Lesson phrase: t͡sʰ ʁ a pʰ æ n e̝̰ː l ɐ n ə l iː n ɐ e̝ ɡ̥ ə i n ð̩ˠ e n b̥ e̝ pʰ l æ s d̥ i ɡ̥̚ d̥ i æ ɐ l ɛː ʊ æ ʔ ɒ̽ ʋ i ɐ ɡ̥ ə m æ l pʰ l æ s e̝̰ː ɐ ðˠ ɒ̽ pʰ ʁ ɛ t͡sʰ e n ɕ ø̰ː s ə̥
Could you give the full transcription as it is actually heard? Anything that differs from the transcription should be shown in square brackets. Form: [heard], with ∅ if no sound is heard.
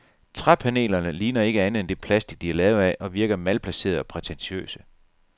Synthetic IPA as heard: t͡sʰ ʁ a pʰ æ n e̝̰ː l ɐ n ə l iː n ɐ e̝ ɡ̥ ə [æ] n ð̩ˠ e n [d̥] e̝ pʰ l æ s d̥ i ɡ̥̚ d̥ i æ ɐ l ɛː ʊ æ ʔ ɒ̽ ʋ i ɐ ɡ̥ [ɐ] m æ l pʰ l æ s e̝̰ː ɐ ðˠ ɒ̽ pʰ ʁ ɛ t͡sʰ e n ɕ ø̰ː s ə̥